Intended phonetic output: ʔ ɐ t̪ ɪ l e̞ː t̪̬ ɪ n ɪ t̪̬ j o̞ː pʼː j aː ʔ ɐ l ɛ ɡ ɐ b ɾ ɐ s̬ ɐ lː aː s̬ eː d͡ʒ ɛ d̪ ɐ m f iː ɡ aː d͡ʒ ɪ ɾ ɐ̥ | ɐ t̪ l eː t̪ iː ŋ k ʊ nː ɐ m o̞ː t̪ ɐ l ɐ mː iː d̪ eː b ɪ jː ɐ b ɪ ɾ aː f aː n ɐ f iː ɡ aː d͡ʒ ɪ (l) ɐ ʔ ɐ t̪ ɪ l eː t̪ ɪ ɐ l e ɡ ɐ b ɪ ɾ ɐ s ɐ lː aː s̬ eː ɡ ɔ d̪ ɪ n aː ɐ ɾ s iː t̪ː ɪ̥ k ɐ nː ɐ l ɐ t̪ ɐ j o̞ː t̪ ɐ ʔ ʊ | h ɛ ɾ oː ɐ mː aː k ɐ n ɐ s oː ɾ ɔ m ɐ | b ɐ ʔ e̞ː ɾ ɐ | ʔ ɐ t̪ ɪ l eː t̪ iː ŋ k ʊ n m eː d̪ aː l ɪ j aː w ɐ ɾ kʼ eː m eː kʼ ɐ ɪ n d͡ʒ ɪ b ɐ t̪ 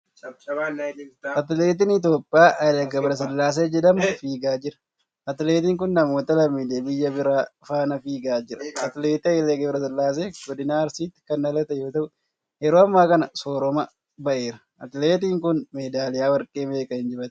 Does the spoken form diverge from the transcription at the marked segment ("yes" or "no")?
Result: yes